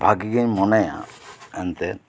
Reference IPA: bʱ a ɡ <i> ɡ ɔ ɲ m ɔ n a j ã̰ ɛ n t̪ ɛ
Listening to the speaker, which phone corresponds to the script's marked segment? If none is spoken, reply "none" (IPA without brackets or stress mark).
i